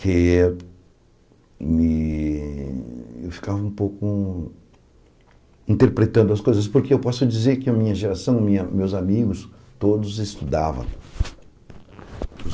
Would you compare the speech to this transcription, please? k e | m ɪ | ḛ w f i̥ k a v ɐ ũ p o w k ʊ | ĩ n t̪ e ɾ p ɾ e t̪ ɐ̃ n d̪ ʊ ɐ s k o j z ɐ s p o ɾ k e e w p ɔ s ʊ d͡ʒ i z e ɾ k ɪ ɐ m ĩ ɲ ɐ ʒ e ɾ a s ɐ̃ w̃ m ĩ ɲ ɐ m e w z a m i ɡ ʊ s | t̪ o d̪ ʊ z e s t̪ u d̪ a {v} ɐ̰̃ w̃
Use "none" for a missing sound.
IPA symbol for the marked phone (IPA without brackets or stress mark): v